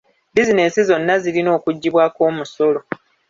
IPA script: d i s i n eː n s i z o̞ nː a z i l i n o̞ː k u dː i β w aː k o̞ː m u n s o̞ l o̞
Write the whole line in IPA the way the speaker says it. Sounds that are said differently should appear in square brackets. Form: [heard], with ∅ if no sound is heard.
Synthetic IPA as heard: d i [z] i n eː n s i z o̞ nː a z i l i n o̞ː k u [ɟː] i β w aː k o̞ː m u [∅] s o̞ l o̞